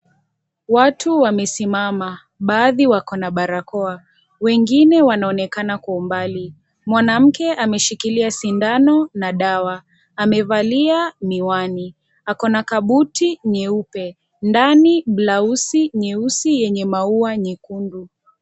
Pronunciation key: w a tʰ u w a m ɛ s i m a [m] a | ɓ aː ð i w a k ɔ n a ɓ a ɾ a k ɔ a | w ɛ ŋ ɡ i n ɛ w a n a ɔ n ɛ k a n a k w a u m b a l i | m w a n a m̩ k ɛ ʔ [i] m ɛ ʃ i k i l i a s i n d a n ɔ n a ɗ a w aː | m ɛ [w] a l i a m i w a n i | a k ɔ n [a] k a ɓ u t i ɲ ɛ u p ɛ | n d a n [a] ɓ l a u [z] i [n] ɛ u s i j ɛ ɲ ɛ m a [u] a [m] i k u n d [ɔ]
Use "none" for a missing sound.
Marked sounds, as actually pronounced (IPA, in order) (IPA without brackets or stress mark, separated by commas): m, a, v, a, i, s, ɲ, u, ɲ, u